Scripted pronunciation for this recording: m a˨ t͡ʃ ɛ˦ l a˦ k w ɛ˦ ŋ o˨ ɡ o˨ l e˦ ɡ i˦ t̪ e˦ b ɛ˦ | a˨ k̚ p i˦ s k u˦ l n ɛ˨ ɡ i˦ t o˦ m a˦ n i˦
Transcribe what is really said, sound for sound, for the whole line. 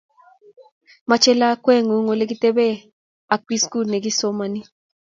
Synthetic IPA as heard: m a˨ t͡ʃ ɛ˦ l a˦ k w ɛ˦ ŋ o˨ ŋ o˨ l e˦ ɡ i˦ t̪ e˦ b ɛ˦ | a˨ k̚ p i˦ s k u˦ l n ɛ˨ ɡ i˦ s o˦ m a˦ n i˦